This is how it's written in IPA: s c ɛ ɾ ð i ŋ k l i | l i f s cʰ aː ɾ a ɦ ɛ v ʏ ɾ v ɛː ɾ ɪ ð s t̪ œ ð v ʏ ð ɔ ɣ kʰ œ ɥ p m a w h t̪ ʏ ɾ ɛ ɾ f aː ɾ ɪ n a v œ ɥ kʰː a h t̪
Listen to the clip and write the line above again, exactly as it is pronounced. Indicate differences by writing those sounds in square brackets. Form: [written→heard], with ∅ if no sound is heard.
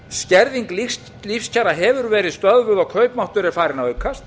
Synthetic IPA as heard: s c ɛ ɾ ð i ŋ k l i | l i f s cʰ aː ɾ a ɦ ɛ v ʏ ɾ v ɛː ɾ ɪ ð s t̪ œ ð v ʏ ð ɔ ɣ kʰ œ ɥ p m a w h t̪ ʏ ɾ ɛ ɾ f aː ɾ ɪ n a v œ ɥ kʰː a [h→s] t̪